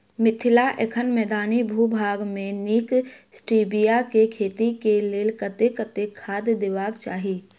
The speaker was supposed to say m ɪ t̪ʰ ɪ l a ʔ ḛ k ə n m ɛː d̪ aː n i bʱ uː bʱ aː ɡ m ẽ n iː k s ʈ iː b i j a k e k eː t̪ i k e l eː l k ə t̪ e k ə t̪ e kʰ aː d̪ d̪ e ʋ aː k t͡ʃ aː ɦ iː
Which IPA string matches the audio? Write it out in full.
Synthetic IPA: m ɪ t̪ʰ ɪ l a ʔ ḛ kʰ ə n m ɛː d̪ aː n i bʱ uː bʱ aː ɡ m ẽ n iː k s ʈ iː b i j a k e kʰ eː t̪ i k e l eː l k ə t̪ e k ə t̪ e kʰ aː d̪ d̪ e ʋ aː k t͡ʃ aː ɦ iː